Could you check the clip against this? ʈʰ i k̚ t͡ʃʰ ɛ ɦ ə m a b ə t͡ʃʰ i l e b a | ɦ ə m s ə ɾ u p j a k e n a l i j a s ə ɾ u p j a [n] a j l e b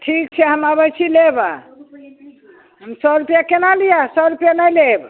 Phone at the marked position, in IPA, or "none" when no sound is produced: n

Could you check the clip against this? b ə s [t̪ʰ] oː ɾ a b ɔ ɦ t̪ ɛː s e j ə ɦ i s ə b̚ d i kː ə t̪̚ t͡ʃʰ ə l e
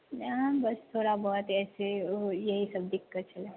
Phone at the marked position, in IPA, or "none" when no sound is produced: t̪ʰ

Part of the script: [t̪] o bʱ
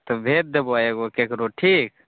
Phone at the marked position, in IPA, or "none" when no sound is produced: t̪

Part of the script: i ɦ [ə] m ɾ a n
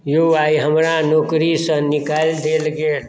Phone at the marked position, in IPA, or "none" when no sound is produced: ə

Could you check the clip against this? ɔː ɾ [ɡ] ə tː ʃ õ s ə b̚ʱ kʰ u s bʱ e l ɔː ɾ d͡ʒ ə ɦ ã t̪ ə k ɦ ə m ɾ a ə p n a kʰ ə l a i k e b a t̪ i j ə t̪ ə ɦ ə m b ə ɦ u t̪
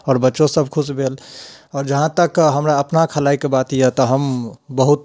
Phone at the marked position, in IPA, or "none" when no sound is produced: b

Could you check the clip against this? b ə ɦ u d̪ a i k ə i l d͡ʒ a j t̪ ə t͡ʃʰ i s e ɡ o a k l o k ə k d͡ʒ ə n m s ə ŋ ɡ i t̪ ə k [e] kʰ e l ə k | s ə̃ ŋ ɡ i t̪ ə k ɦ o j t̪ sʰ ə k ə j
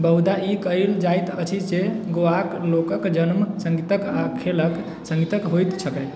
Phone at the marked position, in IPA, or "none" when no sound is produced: a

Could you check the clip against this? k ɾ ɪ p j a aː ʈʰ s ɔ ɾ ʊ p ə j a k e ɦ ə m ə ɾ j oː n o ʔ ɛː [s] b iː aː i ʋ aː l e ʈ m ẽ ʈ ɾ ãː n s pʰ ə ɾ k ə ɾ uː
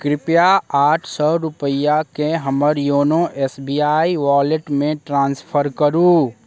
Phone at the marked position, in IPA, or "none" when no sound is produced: s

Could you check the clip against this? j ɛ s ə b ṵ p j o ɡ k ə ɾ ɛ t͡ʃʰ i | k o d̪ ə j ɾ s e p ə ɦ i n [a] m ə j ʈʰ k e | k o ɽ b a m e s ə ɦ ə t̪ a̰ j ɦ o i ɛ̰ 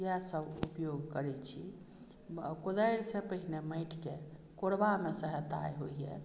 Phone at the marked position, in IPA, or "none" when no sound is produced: e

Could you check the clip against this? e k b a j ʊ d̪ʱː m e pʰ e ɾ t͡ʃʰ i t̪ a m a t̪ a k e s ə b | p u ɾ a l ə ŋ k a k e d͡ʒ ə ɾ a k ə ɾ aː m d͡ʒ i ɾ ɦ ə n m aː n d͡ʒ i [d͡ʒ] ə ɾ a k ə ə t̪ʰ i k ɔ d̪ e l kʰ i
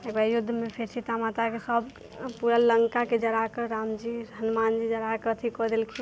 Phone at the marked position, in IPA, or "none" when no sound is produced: d͡ʒ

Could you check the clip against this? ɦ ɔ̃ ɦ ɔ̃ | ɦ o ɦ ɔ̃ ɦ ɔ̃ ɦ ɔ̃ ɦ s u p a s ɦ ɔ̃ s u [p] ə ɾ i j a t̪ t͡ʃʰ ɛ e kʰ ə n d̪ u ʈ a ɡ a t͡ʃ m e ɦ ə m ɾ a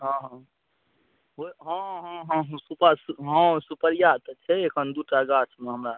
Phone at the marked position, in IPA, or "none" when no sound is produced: p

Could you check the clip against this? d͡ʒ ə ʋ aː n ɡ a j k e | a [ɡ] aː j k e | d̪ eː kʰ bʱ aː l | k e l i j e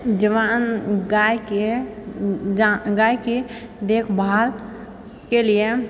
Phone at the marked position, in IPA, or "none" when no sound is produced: ɡ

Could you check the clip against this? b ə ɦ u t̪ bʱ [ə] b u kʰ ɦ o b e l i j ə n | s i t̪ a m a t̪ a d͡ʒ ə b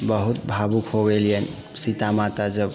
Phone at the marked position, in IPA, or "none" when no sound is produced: a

